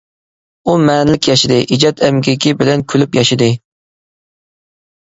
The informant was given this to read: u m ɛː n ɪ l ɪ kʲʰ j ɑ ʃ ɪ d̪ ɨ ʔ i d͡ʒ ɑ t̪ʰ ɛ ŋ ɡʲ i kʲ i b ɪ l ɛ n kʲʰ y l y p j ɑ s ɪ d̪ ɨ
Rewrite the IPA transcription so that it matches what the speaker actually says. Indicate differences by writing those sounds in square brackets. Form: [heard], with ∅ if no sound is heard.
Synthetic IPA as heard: u m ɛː n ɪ l ɪ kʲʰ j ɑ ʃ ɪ d̪ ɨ ʔ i d͡ʒ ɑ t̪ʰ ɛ [m] ɡʲ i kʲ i b ɪ l ɛ n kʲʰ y l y p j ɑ [ʃ] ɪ d̪ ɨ